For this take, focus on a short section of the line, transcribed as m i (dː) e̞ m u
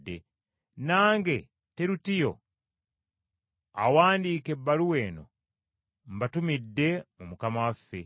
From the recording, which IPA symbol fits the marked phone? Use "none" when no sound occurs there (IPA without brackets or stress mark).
dː